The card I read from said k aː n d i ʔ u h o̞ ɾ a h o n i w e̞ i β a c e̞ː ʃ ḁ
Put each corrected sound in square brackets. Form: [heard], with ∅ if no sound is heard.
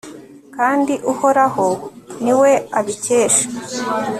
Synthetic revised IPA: k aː n d i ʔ u h o̞ ɾ a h o n i w e̞ [a] β [i] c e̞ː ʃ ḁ